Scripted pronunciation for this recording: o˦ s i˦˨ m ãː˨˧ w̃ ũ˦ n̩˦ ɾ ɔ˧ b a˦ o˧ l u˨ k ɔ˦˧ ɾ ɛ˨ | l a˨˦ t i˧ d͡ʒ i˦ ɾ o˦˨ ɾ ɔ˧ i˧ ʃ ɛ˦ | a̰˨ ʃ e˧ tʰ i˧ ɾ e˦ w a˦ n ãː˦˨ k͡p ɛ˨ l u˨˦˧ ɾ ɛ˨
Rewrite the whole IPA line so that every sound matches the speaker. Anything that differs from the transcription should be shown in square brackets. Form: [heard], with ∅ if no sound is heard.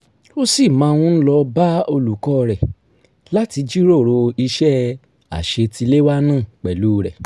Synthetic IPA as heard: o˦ s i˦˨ m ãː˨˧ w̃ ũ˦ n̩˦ [l] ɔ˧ b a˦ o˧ l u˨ k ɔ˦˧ ɾ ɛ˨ | l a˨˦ t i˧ d͡ʒ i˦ ɾ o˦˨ ɾ [o˧] i˧ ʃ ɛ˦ | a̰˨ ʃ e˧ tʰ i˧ [l] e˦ w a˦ n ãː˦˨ k͡p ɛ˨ l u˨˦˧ ɾ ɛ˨